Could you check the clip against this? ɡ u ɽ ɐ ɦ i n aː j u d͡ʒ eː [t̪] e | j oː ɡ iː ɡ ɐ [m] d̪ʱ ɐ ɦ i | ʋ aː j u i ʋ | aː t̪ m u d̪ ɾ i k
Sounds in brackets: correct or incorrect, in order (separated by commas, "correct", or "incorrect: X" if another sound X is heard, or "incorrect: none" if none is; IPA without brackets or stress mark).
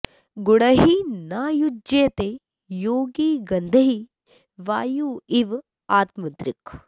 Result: correct, incorrect: n